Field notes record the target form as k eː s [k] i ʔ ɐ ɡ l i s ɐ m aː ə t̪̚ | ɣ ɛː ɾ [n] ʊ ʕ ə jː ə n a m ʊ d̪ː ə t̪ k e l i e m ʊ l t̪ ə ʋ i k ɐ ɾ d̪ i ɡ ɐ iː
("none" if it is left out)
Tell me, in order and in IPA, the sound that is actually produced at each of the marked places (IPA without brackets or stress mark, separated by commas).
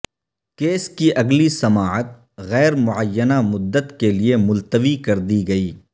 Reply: k, m